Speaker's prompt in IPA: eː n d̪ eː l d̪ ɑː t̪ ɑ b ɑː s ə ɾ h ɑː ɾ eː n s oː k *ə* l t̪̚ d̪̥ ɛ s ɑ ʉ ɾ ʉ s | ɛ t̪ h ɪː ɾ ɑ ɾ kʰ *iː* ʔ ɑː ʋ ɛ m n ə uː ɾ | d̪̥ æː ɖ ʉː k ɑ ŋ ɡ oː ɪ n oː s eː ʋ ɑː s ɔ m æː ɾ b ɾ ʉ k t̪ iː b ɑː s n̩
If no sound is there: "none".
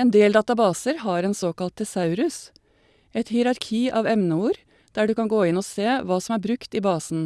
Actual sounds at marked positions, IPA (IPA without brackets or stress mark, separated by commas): ɑ, iː